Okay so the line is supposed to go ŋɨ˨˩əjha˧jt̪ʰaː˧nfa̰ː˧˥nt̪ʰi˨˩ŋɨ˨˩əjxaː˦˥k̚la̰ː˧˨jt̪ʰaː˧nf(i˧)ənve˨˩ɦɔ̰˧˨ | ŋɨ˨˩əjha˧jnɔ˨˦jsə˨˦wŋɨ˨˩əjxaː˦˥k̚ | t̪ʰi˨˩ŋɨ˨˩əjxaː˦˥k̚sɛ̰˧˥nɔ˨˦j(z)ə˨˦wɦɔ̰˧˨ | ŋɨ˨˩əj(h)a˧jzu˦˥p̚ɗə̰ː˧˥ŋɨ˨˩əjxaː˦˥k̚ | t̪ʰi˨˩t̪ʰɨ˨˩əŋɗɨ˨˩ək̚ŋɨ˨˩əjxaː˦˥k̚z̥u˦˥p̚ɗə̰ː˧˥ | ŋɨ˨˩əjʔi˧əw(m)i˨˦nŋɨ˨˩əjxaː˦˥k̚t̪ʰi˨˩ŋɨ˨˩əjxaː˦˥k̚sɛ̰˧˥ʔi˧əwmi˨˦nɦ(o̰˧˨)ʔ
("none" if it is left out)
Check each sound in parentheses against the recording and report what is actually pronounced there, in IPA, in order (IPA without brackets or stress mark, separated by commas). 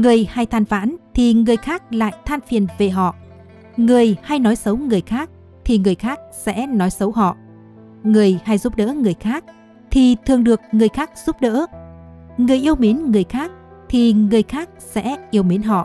i˨˩, s, h, m, ɔ̰˧˨